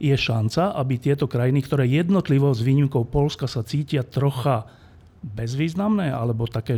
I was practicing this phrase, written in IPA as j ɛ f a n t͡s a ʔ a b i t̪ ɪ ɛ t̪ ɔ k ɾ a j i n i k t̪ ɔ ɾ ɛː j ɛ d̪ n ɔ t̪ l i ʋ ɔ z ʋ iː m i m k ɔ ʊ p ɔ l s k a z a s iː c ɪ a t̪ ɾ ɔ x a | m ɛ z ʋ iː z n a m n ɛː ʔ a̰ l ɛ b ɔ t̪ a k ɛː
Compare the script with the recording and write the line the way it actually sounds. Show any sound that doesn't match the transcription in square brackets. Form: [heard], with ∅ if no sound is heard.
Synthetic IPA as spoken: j ɛ [ʃ] a n t͡s a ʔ a b i t̪ ɪ ɛ t̪ ɔ k ɾ a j i n i k t̪ ɔ ɾ ɛː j ɛ d̪ n ɔ t̪ l i ʋ ɔ z ʋ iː [ɲ] i m k ɔ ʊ p ɔ l s k a [s] a [t͡s] iː c ɪ a t̪ ɾ ɔ x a | [b] ɛ z ʋ iː z n a m n ɛː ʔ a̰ l ɛ b ɔ t̪ a k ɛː